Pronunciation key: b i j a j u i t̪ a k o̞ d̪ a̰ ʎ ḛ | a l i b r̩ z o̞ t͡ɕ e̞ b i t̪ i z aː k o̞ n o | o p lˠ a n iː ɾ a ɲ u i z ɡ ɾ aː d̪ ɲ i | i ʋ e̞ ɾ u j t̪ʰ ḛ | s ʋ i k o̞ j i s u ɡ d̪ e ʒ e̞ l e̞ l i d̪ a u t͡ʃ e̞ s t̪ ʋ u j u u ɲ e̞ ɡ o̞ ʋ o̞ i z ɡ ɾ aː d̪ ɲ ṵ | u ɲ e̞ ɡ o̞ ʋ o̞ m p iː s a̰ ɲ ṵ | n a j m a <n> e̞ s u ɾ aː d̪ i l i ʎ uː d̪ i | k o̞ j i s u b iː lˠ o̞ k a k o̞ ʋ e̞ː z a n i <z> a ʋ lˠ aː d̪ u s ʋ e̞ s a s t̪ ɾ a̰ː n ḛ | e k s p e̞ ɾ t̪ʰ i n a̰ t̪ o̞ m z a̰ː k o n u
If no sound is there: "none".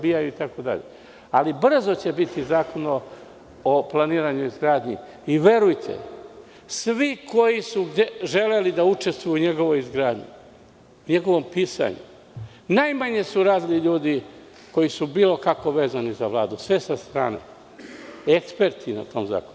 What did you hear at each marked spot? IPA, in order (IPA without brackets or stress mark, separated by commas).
ɲ, z